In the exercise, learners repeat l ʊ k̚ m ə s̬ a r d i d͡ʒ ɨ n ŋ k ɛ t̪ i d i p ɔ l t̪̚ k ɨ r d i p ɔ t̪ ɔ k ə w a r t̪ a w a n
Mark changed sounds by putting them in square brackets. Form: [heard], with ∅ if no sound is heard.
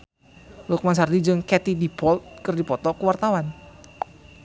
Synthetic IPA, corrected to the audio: l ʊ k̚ m [a] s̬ a r d i d͡ʒ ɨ [∅] ŋ k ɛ t̪ i d i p ɔ l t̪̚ k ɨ r d i p ɔ t̪ ɔ k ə w a r t̪ a w a n

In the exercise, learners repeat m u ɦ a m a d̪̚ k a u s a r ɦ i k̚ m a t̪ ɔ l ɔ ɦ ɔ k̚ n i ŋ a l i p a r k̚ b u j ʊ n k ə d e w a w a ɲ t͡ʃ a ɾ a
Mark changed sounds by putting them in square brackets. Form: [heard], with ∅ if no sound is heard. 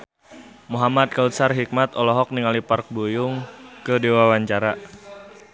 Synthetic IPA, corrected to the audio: m u ɦ a m a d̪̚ k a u s a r ɦ i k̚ m a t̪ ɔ l ɔ ɦ ɔ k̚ n i ŋ a l i p a r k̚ b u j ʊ [ŋ] k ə d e w a w a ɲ t͡ʃ a ɾ a

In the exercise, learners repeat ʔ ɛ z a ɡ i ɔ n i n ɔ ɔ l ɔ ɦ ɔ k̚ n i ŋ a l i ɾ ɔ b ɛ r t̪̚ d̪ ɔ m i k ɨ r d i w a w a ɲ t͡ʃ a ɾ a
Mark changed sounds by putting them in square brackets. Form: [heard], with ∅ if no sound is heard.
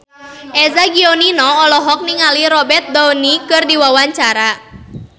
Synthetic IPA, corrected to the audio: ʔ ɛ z a ɡ i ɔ n i n ɔ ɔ l ɔ ɦ ɔ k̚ n i ŋ a l i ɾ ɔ b ɛ r t̪̚ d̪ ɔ [n] i k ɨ r d i w a w a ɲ t͡ʃ a ɾ a

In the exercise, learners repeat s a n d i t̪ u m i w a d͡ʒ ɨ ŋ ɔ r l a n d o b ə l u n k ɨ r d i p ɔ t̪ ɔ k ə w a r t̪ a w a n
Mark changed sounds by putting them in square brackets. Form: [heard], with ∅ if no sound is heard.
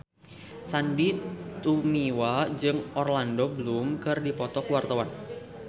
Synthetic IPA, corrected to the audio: s a n d i t̪ u m i w a d͡ʒ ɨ ŋ ɔ r l a n d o b ə l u [m] k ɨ r d i p ɔ t̪ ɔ k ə w a r t̪ a w a n

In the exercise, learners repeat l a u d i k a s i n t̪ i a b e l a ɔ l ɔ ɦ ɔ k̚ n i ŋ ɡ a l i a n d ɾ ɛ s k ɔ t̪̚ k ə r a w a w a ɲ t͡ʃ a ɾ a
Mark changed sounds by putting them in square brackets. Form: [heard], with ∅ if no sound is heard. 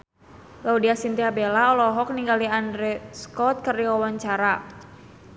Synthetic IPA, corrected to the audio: l a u d i [∅] a s i n t̪ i a b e l a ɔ l ɔ ɦ ɔ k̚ n i ŋ ɡ a l i a n d ɾ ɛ s k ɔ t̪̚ k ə r [i] w a w a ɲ t͡ʃ a ɾ a

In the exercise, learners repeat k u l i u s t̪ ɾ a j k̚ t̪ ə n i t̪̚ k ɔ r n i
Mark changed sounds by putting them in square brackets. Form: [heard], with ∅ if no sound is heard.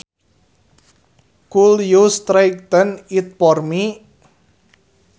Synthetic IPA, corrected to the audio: k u l [j] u s t̪ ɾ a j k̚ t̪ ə n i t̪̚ [p] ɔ r [m] i

